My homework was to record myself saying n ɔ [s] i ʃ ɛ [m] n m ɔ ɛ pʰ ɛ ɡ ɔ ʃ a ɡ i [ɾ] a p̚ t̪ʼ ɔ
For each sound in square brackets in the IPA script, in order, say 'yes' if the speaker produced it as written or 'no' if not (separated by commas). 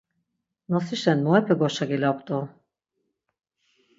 yes, no, no